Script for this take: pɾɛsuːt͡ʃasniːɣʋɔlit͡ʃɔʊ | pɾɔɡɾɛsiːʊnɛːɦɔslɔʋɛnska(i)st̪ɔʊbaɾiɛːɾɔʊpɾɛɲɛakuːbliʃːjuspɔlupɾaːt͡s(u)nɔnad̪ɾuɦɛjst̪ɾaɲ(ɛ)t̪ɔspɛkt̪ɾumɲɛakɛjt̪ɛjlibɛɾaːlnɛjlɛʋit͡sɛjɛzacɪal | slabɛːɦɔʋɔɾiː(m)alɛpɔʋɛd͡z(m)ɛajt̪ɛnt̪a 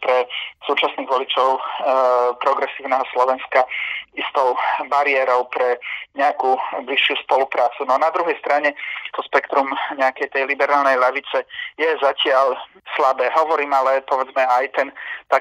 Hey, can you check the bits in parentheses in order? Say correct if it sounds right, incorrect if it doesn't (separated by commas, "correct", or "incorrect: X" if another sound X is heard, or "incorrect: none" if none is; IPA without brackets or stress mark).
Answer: correct, correct, correct, correct, correct